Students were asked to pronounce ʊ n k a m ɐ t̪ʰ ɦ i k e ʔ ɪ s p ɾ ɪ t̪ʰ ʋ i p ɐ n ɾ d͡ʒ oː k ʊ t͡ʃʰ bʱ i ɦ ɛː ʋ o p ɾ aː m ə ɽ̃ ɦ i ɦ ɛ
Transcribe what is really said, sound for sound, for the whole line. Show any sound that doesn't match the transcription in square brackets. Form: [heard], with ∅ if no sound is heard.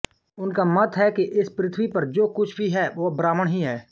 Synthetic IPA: ʊ n k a m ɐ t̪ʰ ɦ [ɛ] k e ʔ ɪ s p ɾ ɪ t̪ʰ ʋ i p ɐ [∅] ɾ d͡ʒ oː k ʊ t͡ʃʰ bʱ i ɦ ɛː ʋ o [b] ɾ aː m ə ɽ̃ ɦ i ɦ [ɛː]